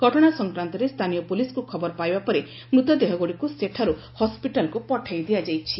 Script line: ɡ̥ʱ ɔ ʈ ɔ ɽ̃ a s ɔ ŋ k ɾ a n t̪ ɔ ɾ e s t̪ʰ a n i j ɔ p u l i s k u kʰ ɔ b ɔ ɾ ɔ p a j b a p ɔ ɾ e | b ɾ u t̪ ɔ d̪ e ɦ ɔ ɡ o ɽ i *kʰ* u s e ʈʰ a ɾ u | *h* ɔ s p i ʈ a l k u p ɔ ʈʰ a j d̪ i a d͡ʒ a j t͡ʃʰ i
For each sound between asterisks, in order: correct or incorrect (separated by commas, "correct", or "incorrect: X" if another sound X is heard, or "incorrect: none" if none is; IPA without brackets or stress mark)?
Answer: incorrect: k, correct